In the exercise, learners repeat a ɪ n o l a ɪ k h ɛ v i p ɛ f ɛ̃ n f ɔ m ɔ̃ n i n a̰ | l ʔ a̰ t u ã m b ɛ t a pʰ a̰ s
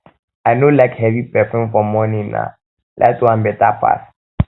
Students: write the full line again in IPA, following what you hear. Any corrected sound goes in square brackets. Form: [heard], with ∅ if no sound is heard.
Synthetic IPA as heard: a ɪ n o l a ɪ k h ɛ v i p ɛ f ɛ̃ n f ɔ m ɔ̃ n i n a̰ | l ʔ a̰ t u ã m b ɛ t a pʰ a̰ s